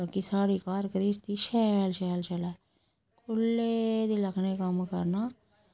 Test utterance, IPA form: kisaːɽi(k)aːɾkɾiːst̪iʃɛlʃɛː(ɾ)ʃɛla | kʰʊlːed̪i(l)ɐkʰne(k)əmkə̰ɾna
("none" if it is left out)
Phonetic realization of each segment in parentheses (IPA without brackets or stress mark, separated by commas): k, l, l, k